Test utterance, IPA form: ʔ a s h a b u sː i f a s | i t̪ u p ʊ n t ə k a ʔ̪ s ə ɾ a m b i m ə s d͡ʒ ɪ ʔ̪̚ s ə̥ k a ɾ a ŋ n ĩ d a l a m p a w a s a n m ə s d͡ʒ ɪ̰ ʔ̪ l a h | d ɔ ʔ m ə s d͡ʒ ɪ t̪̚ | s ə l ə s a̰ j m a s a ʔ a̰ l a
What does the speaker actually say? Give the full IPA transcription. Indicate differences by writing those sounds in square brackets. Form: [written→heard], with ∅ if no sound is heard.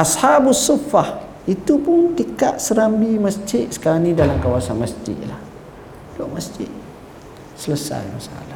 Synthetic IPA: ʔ a s h a b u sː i f a [s→h] | i t̪ u p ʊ n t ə k a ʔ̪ s ə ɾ a m b i m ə s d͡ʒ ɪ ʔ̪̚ s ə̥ k a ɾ a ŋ n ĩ d a l a m [p→k] a w a s a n m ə s d͡ʒ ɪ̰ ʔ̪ l a h | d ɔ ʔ m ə s d͡ʒ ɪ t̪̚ | s ə l ə s a̰ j m a s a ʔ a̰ l a